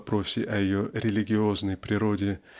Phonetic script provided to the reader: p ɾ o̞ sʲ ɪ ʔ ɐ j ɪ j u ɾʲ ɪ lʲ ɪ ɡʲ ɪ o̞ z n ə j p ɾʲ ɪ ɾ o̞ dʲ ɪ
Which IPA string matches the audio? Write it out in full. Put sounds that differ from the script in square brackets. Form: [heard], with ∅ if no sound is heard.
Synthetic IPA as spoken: p ɾ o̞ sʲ ɪ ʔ ɐ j ɪ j [o] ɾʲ ɪ lʲ ɪ ɡʲ ɪ o̞ z n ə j p ɾʲ ɪ ɾ o̞ dʲ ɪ